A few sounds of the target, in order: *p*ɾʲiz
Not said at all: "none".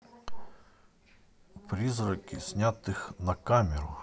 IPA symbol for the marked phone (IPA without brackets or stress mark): p